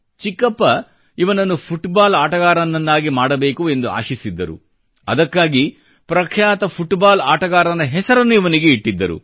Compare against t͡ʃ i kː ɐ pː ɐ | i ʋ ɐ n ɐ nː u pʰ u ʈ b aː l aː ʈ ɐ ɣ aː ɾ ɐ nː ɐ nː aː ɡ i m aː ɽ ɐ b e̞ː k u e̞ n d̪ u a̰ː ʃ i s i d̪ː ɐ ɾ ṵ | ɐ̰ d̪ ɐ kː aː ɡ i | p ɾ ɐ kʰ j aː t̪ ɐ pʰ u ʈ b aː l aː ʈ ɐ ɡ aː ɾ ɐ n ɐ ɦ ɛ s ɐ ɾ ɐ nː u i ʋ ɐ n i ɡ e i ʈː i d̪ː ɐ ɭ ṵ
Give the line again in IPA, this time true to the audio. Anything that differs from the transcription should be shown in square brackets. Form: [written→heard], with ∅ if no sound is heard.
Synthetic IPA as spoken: t͡ʃ i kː ɐ pː ɐ | i ʋ ɐ n ɐ nː u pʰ u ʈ b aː l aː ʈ ɐ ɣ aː ɾ ɐ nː ɐ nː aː ɡ i m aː ɽ ɐ b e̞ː k u e̞ n d̪ u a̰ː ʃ i s i d̪ː ɐ ɾ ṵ | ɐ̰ d̪ ɐ kː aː ɡ i | p ɾ ɐ kʰ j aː t̪ ɐ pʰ u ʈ b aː l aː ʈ ɐ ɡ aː ɾ ɐ n ɐ ɦ ɛ s ɐ ɾ ɐ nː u i ʋ ɐ n i ɡ e i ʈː i d̪ː ɐ [ɭ→ɾ] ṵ

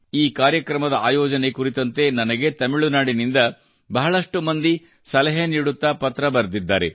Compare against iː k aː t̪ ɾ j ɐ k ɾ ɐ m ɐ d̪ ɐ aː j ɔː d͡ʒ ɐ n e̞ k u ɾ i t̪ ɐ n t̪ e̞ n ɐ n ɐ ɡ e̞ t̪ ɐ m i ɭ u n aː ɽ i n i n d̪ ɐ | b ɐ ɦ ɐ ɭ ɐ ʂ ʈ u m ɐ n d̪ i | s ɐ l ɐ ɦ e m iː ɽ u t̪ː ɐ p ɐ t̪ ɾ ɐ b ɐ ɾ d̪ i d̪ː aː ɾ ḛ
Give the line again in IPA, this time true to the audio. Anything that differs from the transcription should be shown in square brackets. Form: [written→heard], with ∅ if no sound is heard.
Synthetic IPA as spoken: iː k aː [t̪→∅] ɾ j ɐ k ɾ ɐ m ɐ d̪ ɐ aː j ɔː d͡ʒ ɐ n e̞ k u ɾ i t̪ ɐ n t̪ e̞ n ɐ n ɐ ɡ e̞ t̪ ɐ m i ɭ u n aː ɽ i n i n d̪ ɐ | b ɐ ɦ ɐ ɭ ɐ ʂ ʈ u m ɐ n d̪ i | s ɐ l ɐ ɦ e [m→n] iː ɽ u t̪ː ɐ p ɐ t̪ ɾ ɐ b ɐ ɾ d̪ i d̪ː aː ɾ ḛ

